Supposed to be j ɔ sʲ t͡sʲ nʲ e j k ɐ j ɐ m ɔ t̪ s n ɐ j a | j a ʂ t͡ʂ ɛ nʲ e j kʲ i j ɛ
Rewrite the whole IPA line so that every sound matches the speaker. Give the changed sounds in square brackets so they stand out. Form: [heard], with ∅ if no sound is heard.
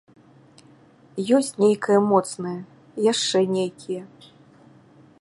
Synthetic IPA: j ɔ sʲ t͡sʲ nʲ e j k ɐ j ɐ m ɔ t̪ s n ɐ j [ɐ] | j a ʂ t͡ʂ ɛ nʲ e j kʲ i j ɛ